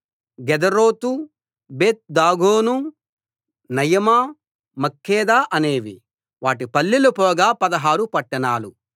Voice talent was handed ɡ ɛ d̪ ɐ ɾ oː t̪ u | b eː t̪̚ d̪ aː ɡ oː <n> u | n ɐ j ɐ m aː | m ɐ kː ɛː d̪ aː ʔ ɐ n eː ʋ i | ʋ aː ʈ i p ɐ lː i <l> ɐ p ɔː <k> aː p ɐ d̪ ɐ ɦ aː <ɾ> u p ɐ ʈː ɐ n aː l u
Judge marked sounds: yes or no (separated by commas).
yes, yes, no, yes